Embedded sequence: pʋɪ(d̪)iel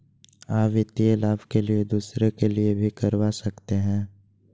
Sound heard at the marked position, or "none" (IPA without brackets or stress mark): t̪